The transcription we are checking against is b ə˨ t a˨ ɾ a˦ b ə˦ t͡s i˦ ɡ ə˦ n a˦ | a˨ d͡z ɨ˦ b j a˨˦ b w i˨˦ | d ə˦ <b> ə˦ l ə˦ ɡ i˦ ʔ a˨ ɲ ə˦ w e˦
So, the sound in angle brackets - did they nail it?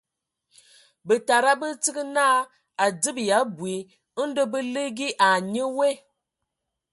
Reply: yes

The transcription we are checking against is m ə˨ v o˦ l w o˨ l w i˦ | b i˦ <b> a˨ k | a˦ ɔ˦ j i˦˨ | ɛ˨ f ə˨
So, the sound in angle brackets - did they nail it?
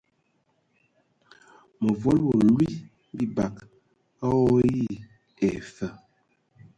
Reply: yes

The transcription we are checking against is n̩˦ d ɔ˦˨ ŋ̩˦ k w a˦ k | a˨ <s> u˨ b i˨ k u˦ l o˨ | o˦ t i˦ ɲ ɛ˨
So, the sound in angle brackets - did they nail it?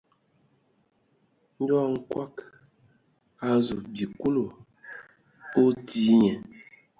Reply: no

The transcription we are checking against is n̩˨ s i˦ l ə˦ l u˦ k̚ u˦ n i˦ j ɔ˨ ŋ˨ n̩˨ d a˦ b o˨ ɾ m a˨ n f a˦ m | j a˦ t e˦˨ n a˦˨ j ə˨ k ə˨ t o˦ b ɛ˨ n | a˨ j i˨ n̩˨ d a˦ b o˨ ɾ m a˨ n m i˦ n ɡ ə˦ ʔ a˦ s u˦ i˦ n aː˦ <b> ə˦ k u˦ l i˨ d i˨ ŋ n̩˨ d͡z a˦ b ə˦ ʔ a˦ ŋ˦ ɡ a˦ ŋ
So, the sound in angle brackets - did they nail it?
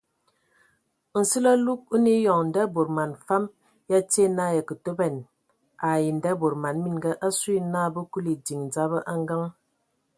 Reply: yes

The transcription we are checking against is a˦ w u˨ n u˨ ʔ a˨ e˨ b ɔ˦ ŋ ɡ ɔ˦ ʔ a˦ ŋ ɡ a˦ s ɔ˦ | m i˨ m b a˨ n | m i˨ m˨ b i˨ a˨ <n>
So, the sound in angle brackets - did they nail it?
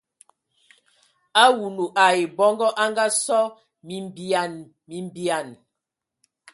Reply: yes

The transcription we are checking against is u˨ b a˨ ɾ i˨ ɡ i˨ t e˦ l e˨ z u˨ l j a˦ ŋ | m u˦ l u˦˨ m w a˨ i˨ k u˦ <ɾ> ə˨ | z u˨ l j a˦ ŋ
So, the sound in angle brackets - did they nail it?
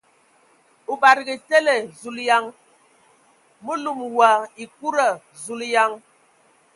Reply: yes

